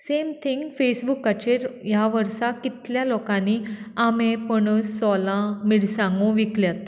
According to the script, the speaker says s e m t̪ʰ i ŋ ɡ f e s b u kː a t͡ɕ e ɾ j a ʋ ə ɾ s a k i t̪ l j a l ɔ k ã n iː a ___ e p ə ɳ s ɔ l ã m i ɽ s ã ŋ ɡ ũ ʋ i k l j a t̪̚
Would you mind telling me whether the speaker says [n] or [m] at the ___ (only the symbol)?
m